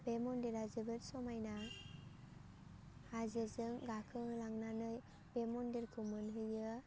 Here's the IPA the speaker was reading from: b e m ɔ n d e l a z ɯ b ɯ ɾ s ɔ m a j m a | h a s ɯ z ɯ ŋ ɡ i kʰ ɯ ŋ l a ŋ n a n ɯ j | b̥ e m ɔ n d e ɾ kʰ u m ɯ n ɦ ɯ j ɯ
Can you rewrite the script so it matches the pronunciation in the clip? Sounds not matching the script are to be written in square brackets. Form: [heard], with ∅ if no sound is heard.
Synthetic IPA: b e m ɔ n d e [ɾ] a z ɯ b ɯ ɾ s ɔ m a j [n] a | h a [z] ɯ z ɯ ŋ ɡ [a] kʰ ɯ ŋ l a ŋ n a n ɯ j | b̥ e m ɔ n d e ɾ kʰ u m ɯ n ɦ ɯ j ɯ

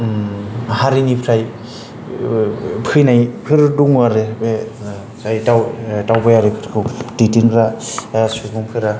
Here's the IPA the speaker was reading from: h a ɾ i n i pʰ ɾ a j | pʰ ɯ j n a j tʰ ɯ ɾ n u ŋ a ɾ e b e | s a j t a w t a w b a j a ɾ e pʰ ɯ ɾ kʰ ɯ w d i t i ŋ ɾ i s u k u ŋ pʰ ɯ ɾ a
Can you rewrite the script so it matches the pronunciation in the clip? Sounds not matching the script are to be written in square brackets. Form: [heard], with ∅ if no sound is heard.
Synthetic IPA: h a ɾ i n i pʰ ɾ a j | pʰ ɯ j n a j [pʰ] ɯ ɾ [d] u ŋ a ɾ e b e | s a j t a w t a w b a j a ɾ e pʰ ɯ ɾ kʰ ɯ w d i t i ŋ ɾ [a] s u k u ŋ pʰ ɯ ɾ a

